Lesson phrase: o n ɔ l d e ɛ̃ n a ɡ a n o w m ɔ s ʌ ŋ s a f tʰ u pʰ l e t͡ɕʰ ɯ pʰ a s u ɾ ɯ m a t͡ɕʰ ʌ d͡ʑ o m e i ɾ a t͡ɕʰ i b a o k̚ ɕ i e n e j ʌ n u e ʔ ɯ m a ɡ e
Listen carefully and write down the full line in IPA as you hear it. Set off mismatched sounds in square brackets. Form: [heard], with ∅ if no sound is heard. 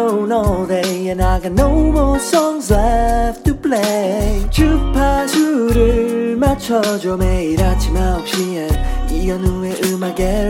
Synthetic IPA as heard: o n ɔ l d e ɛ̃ n a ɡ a n o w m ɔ s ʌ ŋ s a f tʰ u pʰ l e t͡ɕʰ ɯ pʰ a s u ɾ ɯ m a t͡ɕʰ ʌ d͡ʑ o m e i ɾ a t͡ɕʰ i [m] a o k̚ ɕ i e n [i] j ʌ n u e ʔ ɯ m a ɡ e